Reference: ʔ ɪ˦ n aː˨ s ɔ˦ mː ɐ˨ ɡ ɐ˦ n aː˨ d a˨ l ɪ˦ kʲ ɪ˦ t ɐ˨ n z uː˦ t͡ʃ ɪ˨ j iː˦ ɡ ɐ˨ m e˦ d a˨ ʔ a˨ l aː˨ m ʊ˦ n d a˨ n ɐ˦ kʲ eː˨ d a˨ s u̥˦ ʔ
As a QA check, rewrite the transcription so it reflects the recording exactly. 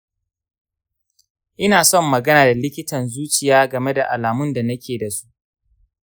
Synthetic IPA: ʔ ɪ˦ n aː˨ s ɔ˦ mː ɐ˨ ɡ ɐ˦ n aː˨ d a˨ l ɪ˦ kʲ ɪ˦ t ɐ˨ n z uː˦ t͡ʃ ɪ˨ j aː˦ ɡ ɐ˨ m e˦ d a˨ ʔ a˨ l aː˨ m ʊ˦ n d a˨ n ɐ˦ kʲ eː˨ d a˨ s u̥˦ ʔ